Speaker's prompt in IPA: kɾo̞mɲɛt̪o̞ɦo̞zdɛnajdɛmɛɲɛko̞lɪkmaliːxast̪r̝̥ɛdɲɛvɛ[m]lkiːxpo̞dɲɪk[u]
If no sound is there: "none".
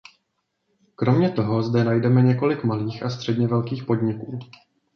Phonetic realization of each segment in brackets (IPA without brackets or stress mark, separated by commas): none, uː